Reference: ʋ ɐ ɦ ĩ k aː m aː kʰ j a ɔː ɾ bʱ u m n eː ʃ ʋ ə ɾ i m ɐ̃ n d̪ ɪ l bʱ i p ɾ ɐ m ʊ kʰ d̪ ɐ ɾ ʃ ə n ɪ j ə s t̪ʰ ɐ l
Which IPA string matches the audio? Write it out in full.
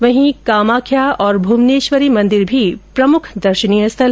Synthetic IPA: ʋ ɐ ɦ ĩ k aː m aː kʰ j a ɔː ɾ bʱ u m n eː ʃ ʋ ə ɾ i m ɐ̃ n d̪ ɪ ɾ bʱ i p ɾ ɐ m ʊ kʰ d̪ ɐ ɾ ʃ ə n i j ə s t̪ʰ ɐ l